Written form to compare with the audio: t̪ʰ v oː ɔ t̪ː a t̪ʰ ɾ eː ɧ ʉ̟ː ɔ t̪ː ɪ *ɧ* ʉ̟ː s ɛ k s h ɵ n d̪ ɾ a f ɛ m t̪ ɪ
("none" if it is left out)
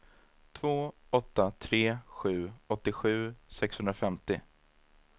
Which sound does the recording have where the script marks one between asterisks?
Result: ɧ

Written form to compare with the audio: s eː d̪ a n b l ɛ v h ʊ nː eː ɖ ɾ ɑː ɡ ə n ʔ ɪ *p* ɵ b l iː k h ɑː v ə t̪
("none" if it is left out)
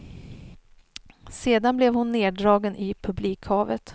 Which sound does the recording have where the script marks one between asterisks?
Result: pʰ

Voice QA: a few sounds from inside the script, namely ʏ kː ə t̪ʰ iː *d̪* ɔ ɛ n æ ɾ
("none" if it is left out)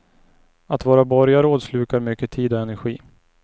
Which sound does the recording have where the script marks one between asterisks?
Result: d̪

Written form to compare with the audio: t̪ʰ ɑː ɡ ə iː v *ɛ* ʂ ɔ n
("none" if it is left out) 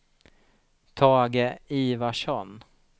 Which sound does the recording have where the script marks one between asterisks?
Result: a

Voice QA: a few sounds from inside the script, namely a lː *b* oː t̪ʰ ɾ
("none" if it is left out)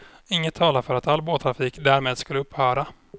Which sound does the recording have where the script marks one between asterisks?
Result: b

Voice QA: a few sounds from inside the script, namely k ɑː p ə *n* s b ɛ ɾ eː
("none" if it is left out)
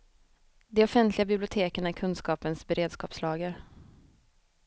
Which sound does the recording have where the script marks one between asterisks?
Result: n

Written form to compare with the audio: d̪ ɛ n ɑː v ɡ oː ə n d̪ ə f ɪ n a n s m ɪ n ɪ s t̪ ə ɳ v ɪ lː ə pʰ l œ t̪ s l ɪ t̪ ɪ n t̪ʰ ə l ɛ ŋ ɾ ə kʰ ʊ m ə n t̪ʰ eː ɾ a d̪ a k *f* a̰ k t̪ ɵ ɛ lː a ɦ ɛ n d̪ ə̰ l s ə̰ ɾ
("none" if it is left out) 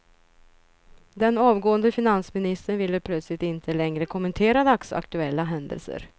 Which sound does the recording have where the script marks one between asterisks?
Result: s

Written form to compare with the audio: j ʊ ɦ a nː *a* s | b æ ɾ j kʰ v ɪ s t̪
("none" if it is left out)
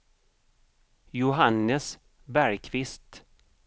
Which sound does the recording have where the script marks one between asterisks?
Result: ə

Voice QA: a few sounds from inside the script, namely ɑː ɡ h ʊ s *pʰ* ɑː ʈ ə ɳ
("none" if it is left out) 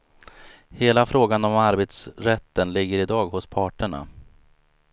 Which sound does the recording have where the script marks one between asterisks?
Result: pʰ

